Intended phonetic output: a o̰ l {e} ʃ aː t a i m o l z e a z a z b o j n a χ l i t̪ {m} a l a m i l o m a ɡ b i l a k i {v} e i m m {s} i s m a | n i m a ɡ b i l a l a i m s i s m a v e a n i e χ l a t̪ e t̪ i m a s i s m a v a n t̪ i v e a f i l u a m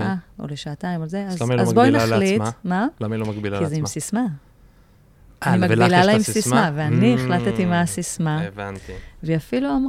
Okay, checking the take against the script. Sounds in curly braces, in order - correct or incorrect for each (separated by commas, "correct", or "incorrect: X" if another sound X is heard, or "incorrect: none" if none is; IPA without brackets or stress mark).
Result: correct, correct, incorrect: z, correct